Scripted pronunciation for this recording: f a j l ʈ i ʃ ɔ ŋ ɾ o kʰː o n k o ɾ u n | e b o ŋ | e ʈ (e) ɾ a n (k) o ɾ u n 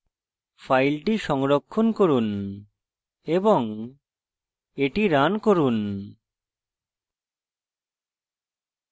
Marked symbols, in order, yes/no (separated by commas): no, yes